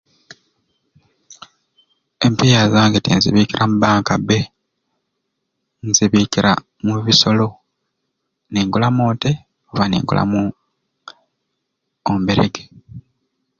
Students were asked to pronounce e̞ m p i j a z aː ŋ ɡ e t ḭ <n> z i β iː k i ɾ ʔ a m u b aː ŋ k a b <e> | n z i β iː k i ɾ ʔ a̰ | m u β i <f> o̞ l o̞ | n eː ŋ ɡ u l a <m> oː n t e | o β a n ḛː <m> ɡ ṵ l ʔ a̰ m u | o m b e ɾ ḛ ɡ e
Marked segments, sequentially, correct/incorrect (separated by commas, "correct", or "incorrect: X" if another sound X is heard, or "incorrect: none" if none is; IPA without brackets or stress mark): correct, correct, incorrect: s, correct, incorrect: ŋ